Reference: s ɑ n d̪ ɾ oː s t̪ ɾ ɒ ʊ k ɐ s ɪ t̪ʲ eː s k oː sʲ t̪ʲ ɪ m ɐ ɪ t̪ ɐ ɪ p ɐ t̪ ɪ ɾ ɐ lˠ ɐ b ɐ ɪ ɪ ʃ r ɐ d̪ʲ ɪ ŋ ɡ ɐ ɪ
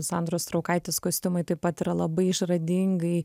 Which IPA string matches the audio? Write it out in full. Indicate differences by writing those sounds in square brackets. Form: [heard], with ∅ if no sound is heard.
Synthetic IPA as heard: s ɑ n d̪ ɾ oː s t̪ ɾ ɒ ʊ k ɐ [∅] ɪ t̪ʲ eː s k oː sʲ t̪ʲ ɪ m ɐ ɪ t̪ ɐ ɪ p ɐ t̪ ɪ ɾ ɐ lˠ ɐ b ɐ ɪ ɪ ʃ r ɐ d̪ʲ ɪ ŋ ɡ ɐ ɪ